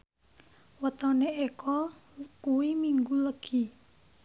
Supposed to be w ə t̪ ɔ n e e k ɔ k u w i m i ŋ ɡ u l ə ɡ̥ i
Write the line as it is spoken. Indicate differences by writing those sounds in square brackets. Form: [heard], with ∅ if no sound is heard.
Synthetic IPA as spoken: w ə t̪ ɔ n e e k ɔ k u w i m i ŋ ɡ u l ə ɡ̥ i